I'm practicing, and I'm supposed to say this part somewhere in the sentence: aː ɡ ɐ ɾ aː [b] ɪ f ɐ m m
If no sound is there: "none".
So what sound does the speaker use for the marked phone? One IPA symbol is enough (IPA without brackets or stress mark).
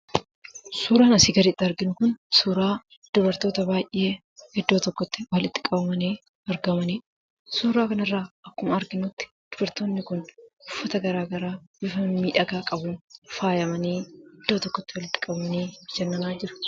b